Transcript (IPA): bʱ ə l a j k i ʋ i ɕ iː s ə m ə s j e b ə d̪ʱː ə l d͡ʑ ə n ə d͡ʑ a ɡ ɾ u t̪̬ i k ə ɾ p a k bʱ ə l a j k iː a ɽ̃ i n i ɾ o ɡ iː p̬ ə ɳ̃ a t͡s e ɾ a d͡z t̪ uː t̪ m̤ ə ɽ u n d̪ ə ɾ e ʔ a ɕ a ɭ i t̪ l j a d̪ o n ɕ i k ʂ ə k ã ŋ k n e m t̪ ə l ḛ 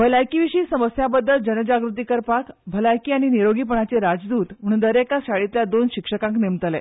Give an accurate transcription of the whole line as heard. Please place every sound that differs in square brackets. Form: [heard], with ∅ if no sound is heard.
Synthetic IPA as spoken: bʱ ə l a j k i ʋ i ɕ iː s ə m ə s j [a] b ə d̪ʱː ə l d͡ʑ ə n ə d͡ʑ a ɡ ɾ u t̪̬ i k ə ɾ p a k bʱ ə l a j k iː a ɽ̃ i n i ɾ o ɡ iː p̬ ə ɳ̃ a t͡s e ɾ a d͡z [d̪] uː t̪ m̤ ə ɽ u n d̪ ə ɾ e [k] a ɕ a ɭ i t̪ l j a d̪ o n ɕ i k ʂ ə k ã ŋ k n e m t̪ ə l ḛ